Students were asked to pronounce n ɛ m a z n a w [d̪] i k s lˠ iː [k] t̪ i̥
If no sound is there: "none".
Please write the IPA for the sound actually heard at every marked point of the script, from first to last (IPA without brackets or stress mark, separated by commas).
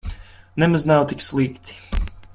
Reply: t̪, k